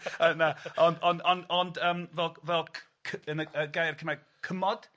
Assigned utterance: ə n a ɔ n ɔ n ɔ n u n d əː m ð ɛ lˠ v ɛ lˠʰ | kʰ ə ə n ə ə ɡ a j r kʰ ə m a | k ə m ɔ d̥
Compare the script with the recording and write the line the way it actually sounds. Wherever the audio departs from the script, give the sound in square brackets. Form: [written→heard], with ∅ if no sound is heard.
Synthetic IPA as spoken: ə n a ɔ n ɔ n ɔ n [u→ɔ] n d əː m [ð→v] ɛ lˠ v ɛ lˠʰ | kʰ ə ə n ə ə ɡ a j r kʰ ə m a | [k→kʰ] ə m ɔ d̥